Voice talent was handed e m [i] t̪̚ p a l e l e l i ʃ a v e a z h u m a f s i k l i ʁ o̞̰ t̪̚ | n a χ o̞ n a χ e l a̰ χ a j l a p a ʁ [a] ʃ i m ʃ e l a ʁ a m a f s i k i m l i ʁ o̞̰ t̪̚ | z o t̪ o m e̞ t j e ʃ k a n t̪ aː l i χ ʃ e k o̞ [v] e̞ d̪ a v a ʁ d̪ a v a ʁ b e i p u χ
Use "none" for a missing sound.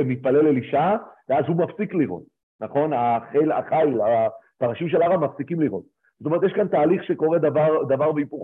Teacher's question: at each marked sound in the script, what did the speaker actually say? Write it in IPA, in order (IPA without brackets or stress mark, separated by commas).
i, a, ʁ